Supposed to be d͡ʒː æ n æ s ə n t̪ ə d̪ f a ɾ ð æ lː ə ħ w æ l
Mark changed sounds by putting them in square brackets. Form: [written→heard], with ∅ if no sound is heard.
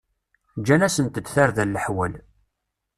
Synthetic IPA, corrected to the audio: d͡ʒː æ n æ s ə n t̪ ə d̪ [f→θ] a ɾ ð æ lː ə ħ w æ l